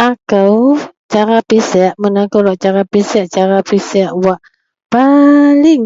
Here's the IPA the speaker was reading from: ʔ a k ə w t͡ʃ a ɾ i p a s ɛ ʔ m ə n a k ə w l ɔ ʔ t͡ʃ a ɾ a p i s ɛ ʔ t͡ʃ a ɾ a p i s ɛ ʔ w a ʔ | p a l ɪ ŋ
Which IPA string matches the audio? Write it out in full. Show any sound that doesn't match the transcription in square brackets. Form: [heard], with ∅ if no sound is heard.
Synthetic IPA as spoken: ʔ a k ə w t͡ʃ a ɾ [a] p [i] s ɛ ʔ m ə n a k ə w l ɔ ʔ t͡ʃ a ɾ a p i s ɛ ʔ t͡ʃ a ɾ a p i s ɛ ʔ w a ʔ | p a l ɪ ŋ